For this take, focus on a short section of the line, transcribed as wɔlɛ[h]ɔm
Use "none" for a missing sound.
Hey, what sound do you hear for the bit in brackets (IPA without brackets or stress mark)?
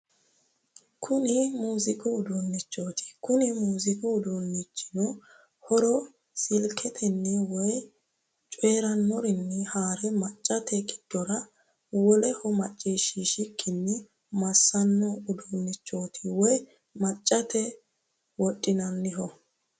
h